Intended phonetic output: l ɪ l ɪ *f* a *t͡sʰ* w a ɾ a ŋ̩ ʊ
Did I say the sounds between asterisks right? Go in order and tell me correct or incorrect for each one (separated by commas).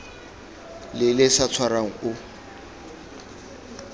incorrect, correct